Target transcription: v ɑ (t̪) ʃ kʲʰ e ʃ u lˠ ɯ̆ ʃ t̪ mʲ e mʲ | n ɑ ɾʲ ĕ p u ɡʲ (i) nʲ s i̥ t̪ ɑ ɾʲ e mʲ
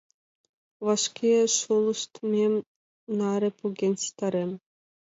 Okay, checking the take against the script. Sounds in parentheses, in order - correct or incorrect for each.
incorrect, incorrect

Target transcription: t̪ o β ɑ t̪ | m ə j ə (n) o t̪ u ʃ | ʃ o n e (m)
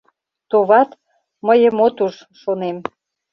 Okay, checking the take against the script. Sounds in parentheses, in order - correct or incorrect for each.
incorrect, correct

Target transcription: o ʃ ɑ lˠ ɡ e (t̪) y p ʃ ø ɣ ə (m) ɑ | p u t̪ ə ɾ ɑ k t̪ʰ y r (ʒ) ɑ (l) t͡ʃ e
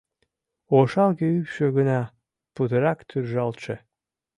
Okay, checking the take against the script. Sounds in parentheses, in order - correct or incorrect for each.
incorrect, incorrect, correct, correct

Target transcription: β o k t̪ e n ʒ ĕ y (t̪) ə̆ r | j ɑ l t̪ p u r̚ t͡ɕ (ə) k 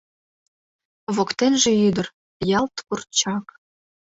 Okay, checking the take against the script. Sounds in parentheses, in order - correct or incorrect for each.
incorrect, incorrect

